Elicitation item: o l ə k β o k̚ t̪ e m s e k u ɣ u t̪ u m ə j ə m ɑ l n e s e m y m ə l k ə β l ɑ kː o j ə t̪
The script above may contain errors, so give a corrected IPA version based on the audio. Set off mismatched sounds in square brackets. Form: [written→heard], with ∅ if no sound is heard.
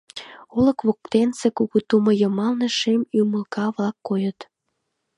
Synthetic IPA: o l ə k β o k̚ t̪ e [m→n] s e k u ɣ u t̪ u m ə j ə m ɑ l n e [s→ʃ] e m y m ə l k [ə→ɑ] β l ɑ kː o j ə t̪